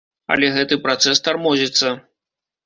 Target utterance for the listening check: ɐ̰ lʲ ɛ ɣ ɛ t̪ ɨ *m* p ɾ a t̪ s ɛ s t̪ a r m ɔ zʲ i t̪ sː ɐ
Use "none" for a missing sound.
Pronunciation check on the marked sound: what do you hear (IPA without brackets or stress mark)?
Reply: none